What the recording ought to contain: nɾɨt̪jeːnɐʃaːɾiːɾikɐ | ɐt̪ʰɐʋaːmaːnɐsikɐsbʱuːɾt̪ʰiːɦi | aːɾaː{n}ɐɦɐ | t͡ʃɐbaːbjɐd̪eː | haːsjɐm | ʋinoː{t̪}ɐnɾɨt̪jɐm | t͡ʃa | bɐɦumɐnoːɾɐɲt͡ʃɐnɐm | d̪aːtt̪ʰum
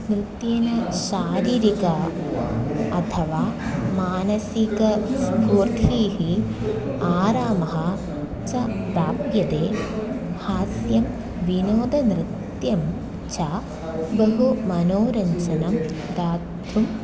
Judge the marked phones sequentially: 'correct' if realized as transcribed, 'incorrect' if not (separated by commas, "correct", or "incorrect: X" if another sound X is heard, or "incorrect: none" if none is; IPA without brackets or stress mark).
incorrect: m, incorrect: d̪